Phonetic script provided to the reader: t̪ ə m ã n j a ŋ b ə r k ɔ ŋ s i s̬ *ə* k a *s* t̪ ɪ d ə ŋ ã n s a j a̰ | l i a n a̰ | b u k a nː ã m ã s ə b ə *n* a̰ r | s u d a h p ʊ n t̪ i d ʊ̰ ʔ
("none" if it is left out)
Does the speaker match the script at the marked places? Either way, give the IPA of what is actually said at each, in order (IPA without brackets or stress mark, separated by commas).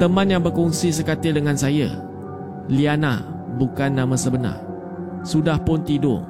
ə, none, n